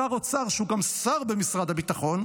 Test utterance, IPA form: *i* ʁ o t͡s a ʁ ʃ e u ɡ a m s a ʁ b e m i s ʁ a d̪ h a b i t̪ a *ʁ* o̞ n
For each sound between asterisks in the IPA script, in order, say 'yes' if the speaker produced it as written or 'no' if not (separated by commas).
no, no